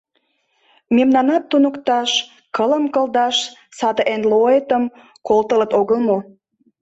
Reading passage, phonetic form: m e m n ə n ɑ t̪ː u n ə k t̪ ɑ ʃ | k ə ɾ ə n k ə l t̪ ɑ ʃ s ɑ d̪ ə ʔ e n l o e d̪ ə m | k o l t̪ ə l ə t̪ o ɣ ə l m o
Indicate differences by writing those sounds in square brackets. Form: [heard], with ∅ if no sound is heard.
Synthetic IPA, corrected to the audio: m e m n [ɑ] n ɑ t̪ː u n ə k t̪ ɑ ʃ | k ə [l] ə [m] k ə l [d̪] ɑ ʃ s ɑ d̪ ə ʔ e n l o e [t̪] ə m | k o l t̪ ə l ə t̪ o ɣ ə l m o